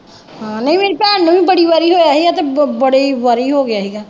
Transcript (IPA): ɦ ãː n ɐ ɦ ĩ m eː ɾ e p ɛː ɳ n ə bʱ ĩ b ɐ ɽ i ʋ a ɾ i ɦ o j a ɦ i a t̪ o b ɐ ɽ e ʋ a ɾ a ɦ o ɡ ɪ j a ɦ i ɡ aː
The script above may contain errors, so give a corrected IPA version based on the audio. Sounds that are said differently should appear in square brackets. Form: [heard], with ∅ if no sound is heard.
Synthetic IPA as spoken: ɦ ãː n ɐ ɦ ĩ m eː ɾ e p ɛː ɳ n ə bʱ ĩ b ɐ ɽ i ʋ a ɾ i ɦ o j a ɦ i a t̪ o b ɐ ɽ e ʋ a ɾ [i] ɦ o ɡ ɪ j a ɦ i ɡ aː